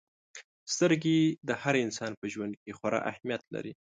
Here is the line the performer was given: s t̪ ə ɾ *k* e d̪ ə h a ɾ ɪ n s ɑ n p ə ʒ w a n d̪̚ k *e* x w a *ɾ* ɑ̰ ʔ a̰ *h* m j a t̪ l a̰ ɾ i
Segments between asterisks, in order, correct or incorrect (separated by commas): incorrect, correct, correct, correct